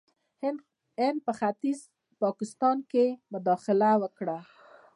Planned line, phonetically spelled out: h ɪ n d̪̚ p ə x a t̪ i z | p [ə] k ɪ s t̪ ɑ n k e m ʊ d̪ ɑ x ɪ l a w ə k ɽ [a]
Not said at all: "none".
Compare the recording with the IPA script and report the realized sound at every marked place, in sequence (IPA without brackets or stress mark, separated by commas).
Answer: ɑ, a